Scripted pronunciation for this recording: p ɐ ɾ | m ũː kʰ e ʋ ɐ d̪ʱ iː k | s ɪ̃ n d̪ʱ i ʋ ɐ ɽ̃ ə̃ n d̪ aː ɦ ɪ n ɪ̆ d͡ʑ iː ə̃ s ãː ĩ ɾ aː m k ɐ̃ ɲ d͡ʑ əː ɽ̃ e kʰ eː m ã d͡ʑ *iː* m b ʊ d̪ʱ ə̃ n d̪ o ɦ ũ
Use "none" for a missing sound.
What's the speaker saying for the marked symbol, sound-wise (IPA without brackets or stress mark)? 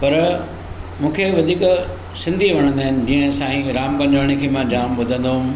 aː